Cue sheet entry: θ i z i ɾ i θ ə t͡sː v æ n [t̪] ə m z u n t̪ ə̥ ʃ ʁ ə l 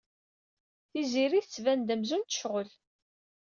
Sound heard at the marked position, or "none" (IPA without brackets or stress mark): d̪